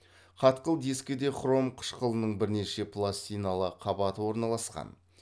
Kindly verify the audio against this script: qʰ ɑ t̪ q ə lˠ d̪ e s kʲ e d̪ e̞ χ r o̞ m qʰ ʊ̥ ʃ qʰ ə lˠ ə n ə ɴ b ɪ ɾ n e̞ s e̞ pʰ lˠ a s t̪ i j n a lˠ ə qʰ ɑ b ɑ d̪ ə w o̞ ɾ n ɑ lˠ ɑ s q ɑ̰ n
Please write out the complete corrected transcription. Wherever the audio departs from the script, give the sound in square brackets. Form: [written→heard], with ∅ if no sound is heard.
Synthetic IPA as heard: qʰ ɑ t̪ q ə lˠ d̪ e s kʲ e d̪ e̞ χ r o̞ m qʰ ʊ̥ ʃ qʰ ə lˠ ə n ə ɴ b ɪ ɾ n e̞ [s→ʃ] e̞ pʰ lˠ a s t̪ i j n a lˠ ə qʰ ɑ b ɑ [d̪→t̪] ə w o̞ ɾ n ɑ lˠ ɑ s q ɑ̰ n